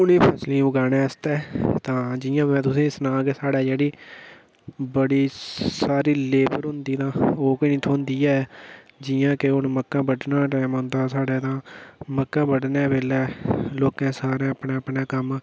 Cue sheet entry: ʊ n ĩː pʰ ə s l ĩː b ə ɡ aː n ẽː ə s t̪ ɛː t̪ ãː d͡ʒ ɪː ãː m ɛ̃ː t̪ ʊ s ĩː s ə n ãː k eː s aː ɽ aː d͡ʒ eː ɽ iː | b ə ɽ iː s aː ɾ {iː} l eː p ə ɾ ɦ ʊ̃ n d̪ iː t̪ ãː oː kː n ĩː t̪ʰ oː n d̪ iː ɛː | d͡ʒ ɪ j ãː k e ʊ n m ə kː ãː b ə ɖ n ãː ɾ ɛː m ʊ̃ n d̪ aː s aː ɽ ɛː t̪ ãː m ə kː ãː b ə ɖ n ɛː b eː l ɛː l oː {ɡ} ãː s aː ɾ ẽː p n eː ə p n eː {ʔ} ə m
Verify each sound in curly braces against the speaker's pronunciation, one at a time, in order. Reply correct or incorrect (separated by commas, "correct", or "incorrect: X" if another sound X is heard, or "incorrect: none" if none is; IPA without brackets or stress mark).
correct, incorrect: k, incorrect: k